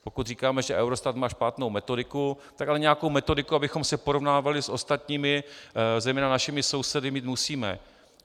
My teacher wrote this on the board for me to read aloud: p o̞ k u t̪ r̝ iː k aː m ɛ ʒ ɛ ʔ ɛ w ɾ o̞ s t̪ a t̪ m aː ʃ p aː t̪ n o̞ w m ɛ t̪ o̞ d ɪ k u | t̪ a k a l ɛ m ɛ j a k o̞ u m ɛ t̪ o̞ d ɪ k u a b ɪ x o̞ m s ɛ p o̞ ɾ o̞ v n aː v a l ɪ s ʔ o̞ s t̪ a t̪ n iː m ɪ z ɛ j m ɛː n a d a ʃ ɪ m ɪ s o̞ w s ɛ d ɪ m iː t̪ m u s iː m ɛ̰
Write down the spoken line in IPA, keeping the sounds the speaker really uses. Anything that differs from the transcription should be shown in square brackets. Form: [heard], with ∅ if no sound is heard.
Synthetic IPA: p o̞ k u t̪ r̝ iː k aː m ɛ ʒ ɛ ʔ ɛ w ɾ o̞ s t̪ a t̪ m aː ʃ p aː t̪ n o̞ w m ɛ t̪ o̞ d ɪ k u | t̪ a k a l ɛ [ɲ] ɛ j a k o̞ [w] m ɛ t̪ o̞ d ɪ k u a b ɪ x o̞ m s ɛ p o̞ ɾ o̞ v n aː v a l ɪ s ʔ o̞ s t̪ a t̪ [ɲ] iː m ɪ z ɛ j m ɛː n a [n] a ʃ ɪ m ɪ s o̞ w s ɛ d ɪ m iː t̪ m u s iː m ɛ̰